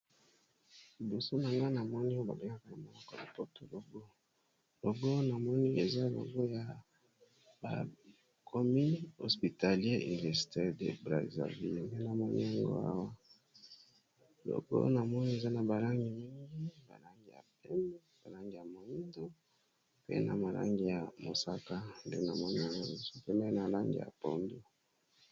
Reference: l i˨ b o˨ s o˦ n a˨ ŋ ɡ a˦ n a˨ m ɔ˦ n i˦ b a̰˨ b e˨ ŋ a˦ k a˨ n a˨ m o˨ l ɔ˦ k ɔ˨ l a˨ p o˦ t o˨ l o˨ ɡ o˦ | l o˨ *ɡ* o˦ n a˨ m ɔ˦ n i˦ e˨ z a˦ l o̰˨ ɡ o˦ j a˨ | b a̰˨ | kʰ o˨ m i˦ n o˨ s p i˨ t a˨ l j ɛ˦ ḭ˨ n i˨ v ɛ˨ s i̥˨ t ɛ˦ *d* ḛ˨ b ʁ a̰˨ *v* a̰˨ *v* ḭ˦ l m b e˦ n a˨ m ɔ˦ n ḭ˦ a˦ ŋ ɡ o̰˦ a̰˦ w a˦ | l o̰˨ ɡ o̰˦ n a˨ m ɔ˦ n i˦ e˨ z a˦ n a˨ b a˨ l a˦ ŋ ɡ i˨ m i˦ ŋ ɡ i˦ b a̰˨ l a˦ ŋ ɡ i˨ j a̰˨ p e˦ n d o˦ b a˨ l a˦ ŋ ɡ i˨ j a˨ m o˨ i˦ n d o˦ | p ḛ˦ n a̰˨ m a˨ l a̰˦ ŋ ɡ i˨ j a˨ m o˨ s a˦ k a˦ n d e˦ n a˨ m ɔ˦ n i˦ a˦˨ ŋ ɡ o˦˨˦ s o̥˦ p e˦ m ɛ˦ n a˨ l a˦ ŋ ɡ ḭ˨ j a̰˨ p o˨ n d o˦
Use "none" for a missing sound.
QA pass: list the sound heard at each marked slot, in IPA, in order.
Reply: ɡ, d, z, v

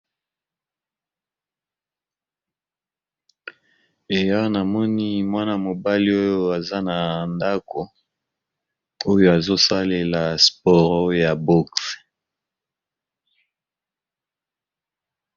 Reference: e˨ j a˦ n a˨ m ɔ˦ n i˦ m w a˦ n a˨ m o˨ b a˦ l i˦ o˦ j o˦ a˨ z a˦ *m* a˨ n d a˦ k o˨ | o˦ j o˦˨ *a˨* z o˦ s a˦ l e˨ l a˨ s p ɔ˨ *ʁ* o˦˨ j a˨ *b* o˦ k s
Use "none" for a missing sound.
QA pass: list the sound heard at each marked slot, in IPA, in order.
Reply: n, a˨, ʁ, b

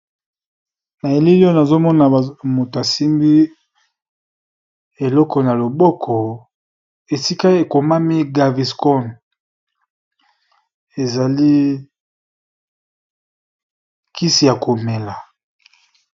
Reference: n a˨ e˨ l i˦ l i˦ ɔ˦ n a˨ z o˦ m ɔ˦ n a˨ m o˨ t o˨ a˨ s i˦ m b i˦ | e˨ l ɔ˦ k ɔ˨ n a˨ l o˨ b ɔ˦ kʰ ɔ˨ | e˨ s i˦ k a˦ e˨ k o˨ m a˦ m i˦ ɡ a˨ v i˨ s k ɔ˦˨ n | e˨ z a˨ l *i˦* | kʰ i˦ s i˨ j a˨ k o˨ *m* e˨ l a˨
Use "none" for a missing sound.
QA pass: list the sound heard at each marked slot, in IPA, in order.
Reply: i˦, m

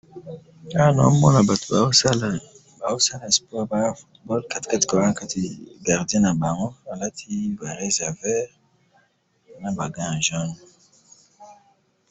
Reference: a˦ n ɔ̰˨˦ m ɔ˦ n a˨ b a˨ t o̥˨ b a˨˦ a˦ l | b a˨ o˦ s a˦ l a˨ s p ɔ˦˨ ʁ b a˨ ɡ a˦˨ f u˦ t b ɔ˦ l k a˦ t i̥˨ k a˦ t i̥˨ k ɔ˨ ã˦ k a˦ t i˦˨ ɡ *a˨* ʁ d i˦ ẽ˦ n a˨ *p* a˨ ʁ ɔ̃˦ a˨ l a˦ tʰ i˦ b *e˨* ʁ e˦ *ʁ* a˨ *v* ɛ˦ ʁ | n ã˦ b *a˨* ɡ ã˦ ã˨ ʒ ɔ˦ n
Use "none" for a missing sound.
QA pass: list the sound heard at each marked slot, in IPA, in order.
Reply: a˨, b, a˨, z, v, a˨

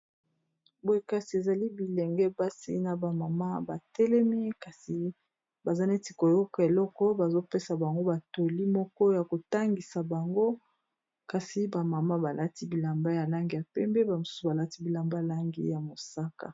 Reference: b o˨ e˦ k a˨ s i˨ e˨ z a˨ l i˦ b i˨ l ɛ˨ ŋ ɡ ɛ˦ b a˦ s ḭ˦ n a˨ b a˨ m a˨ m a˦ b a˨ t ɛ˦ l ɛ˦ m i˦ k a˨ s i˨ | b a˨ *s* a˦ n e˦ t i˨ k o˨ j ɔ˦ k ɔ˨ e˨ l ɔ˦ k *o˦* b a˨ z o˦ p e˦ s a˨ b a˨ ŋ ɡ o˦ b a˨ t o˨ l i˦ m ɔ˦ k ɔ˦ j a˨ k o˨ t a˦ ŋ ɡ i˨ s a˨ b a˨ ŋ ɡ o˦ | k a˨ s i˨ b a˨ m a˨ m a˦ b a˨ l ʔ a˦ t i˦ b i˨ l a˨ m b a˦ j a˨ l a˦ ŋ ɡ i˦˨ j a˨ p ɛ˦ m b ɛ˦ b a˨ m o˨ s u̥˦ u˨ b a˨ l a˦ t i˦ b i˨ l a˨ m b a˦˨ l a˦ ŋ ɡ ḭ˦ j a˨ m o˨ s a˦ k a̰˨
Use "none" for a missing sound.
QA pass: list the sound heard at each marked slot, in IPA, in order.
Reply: z, ɔ˦

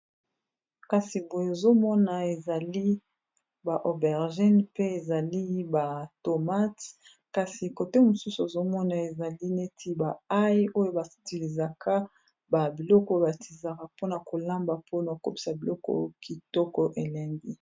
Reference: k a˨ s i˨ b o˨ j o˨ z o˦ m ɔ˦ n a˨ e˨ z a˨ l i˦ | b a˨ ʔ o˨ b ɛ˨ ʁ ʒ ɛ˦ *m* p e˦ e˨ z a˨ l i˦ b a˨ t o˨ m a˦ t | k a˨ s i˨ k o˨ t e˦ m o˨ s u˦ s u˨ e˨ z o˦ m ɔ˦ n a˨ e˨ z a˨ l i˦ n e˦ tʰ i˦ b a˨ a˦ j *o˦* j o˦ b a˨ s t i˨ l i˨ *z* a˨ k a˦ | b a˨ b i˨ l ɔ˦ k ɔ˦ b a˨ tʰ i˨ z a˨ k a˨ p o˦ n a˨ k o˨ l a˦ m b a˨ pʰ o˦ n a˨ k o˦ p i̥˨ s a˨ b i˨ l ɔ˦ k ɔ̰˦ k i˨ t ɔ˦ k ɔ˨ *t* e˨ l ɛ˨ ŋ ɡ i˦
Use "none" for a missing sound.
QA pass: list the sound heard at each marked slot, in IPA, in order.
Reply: n, o˦, z, ʔ

